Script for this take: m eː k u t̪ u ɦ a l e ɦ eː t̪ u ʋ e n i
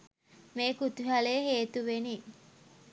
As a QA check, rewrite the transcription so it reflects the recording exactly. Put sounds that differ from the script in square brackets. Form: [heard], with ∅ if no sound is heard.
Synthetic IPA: m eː k u t̪ u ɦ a l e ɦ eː t̪ u ʋ e n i